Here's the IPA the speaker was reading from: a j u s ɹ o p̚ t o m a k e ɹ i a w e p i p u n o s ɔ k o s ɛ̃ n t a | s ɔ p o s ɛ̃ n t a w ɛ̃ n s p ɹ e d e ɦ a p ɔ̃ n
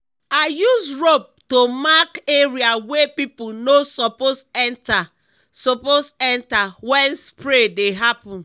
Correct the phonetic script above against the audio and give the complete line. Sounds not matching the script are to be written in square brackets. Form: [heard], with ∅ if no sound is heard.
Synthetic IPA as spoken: a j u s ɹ o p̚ t o m a k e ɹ i a w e p i p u n o s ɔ [p] o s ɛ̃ n t a | s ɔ p o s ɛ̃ n t a w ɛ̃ n s p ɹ e d e ɦ a p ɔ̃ n